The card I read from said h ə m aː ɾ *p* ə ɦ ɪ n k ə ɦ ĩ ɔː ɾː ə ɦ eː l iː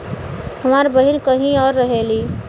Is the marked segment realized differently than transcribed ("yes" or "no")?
yes